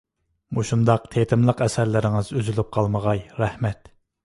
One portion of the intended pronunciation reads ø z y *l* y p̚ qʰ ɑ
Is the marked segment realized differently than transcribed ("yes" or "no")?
no